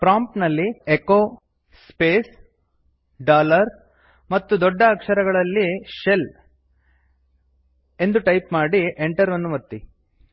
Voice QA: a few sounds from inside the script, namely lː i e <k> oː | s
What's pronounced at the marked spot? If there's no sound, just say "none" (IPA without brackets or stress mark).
k